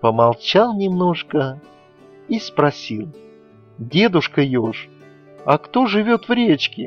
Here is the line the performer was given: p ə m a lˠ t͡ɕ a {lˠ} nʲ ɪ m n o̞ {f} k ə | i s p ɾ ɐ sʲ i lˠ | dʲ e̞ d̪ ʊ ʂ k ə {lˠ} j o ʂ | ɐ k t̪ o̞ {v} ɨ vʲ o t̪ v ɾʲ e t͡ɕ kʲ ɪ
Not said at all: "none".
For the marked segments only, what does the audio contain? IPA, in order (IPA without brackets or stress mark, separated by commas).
lˠ, ʂ, none, ʐ